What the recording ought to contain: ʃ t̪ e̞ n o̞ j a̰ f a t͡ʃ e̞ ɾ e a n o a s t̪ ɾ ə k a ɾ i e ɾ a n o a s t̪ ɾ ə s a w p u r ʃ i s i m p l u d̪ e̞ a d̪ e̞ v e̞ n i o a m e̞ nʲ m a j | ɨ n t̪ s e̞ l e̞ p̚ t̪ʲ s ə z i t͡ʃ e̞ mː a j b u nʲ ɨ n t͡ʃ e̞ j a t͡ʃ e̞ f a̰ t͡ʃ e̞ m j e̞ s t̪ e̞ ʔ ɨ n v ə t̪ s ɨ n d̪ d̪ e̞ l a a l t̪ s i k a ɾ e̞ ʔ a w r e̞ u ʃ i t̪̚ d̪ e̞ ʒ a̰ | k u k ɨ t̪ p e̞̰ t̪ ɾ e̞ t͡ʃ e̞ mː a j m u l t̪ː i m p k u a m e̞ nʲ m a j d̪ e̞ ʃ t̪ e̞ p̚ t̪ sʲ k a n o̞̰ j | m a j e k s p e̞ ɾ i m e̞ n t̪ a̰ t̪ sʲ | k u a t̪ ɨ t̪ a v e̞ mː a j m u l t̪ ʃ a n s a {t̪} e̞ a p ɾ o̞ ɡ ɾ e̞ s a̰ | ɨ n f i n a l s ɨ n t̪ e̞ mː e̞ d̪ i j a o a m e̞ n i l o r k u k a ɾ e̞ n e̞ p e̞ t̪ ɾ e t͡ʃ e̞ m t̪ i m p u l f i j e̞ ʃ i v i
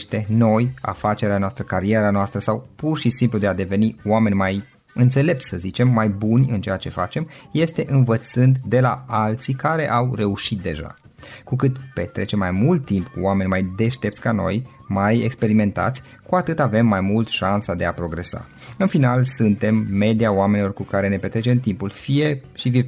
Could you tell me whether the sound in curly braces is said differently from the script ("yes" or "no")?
yes